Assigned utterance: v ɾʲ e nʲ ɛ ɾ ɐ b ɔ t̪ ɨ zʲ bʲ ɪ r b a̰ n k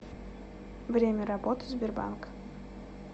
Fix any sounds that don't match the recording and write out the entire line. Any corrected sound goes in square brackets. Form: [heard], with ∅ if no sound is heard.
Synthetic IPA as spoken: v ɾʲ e [mʲ] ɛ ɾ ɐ b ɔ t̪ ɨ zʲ bʲ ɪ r b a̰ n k